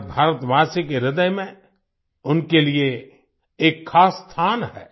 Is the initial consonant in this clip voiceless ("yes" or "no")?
no